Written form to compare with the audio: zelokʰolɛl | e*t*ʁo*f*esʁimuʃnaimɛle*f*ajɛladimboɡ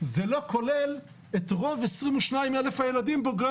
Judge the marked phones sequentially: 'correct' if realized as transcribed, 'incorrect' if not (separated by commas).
correct, incorrect, correct